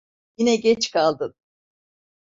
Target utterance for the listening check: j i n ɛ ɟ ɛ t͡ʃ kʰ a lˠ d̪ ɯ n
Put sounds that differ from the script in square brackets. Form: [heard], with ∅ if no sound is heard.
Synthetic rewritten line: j i n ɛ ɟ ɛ t͡ʃ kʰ a lˠ d̪ ɯ n